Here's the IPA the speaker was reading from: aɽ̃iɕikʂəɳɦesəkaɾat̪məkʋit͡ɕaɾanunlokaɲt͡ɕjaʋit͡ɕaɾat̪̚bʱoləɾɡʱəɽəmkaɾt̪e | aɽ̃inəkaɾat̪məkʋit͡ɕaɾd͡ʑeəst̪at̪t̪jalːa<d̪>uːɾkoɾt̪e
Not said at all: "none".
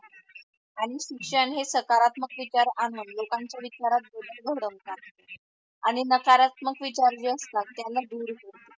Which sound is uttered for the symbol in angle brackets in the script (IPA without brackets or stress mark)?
d̪